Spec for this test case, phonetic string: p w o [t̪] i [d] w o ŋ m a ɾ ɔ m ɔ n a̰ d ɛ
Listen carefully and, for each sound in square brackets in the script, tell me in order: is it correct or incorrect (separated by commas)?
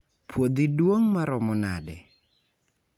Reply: incorrect, correct